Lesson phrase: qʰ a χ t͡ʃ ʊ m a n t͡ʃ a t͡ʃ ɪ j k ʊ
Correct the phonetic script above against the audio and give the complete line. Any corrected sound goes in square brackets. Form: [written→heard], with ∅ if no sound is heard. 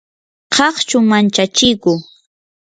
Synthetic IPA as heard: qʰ [a→ɑ] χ t͡ʃ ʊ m a n t͡ʃ a t͡ʃ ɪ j k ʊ